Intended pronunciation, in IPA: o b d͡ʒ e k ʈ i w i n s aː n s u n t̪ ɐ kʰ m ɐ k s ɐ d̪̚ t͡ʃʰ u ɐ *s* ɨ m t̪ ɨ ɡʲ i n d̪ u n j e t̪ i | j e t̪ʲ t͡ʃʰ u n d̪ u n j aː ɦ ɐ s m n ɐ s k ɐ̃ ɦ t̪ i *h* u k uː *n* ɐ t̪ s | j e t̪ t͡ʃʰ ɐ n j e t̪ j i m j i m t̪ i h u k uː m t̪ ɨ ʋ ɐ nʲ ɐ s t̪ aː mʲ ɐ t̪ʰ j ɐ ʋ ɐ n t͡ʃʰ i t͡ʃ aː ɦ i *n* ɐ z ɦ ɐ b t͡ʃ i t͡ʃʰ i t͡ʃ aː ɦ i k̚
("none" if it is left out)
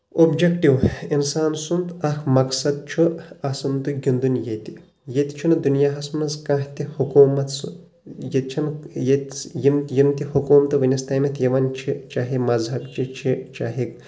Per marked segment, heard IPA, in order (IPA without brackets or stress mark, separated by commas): s, h, m, m